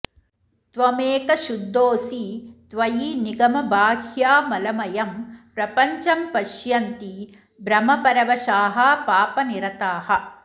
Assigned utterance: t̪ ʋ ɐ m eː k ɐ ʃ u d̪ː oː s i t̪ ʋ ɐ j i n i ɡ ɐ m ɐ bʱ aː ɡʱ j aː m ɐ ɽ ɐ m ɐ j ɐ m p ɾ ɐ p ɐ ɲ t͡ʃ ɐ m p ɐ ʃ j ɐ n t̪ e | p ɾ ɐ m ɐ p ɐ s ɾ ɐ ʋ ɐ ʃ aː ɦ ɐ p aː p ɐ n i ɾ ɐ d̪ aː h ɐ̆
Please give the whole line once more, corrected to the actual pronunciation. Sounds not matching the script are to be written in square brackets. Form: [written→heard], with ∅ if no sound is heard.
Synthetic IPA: t̪ ʋ ɐ m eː k ɐ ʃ u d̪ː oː s i t̪ ʋ ɐ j i n i ɡ ɐ m ɐ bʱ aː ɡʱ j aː m ɐ [ɽ→l] ɐ m ɐ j ɐ m p ɾ ɐ p ɐ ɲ t͡ʃ ɐ m p ɐ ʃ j ɐ n t̪ [e→i] | [p→b] ɾ ɐ m ɐ p ɐ [s→∅] ɾ ɐ ʋ ɐ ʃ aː ɦ ɐ p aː p ɐ n i ɾ ɐ [d̪→t̪] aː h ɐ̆